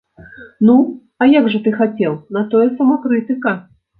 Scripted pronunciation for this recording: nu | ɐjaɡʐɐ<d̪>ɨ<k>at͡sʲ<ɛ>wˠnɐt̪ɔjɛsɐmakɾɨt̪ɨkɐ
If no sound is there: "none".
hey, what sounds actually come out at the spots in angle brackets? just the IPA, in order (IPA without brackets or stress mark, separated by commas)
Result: t̪, x, ɛ